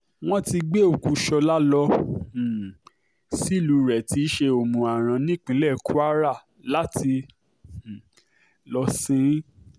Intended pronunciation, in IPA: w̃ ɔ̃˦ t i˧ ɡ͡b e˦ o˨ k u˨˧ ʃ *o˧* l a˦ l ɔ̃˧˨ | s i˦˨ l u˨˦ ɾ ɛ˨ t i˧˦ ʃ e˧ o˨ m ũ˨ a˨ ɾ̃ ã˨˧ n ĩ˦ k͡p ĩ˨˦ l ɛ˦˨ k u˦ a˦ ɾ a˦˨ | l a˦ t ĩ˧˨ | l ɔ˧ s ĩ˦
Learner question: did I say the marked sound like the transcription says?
no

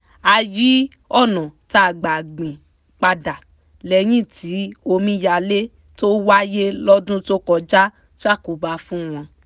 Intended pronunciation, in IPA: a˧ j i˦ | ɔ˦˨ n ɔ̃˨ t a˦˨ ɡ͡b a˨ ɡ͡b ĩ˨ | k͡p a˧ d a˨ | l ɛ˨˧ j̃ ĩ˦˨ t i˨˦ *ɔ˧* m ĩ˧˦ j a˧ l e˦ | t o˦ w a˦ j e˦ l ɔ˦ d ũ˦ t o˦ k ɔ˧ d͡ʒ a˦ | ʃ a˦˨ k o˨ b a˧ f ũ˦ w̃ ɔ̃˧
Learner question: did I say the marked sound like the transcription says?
no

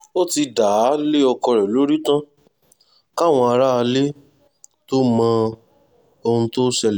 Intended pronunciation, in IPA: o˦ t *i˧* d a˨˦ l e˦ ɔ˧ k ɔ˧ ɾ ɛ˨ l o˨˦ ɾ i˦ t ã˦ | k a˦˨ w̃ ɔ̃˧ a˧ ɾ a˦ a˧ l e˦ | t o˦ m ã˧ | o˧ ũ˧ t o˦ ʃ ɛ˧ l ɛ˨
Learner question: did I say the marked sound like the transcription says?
yes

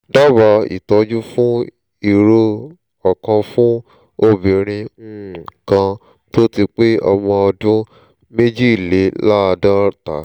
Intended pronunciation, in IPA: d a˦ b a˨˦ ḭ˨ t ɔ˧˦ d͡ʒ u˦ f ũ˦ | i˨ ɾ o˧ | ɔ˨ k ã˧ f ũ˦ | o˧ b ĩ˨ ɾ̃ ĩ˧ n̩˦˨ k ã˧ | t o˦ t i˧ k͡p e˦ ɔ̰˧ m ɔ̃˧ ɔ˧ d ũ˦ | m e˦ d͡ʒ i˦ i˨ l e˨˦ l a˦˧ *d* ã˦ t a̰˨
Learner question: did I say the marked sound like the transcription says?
yes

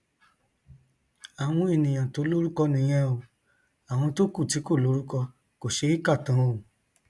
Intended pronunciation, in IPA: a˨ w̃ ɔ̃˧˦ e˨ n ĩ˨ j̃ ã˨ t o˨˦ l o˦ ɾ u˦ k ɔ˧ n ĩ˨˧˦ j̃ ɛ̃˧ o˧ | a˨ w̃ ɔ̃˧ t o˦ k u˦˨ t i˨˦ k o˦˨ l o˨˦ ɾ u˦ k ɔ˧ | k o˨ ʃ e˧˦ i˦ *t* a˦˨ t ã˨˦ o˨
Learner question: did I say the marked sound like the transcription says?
no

